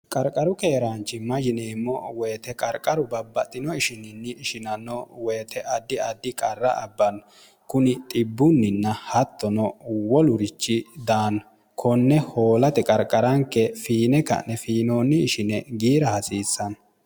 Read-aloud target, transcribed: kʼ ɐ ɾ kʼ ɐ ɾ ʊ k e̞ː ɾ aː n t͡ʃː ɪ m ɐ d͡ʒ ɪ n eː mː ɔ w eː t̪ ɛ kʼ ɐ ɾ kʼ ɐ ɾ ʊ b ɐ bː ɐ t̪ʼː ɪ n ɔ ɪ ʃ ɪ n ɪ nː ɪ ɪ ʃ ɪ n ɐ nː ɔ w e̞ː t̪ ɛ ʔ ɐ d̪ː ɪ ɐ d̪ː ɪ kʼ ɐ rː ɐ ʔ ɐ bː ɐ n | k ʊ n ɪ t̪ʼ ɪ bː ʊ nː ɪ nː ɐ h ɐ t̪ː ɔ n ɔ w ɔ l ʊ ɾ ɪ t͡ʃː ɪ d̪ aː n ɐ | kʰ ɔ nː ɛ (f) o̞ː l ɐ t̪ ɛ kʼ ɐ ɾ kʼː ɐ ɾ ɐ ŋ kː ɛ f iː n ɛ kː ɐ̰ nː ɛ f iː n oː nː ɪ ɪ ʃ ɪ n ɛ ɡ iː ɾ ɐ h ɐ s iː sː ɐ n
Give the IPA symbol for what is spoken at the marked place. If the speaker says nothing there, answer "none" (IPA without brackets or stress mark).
h